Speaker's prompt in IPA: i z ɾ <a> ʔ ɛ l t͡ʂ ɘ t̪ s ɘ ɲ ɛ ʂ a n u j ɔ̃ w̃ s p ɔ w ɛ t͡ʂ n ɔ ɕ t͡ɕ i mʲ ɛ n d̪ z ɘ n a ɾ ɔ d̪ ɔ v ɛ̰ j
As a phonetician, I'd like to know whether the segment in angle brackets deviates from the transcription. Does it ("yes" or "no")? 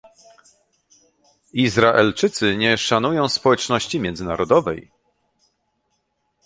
no